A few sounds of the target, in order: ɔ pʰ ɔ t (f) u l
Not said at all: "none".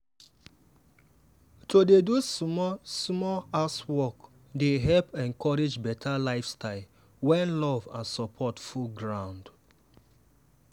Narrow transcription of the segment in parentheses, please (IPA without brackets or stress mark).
f